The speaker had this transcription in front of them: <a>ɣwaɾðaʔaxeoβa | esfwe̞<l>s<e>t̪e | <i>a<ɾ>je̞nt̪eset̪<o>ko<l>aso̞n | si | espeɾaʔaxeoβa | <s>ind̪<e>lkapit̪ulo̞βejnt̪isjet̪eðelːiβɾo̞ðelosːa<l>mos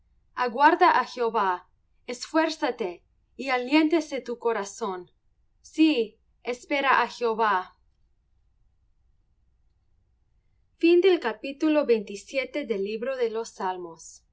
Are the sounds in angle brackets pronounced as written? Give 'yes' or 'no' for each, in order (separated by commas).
yes, no, no, yes, no, no, no, no, yes, yes